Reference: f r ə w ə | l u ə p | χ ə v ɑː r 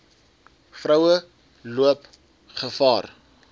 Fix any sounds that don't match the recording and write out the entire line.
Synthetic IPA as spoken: f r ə w ə | l u ə p | χ ə f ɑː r